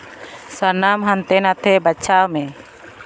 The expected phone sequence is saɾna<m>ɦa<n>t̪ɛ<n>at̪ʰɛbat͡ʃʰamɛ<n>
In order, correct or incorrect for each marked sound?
correct, correct, correct, incorrect

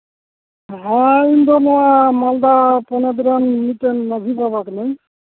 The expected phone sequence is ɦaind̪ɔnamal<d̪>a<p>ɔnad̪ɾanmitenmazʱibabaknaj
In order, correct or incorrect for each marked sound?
correct, correct

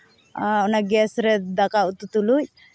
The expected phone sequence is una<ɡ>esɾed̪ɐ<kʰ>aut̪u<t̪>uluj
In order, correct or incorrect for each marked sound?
correct, incorrect, correct

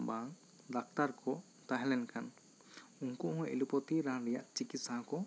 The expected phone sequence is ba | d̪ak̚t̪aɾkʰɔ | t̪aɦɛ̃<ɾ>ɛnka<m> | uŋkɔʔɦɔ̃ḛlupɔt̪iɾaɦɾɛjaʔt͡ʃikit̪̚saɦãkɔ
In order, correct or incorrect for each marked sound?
incorrect, incorrect

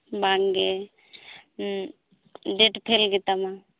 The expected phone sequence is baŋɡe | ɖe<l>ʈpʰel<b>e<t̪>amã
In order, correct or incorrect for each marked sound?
incorrect, incorrect, correct

